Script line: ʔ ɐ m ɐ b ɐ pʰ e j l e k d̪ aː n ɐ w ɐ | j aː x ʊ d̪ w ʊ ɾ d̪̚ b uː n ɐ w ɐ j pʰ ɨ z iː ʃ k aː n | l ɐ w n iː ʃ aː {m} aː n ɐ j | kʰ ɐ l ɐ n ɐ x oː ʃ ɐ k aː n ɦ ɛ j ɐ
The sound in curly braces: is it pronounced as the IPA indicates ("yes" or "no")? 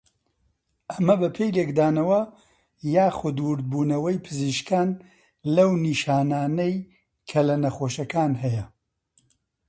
no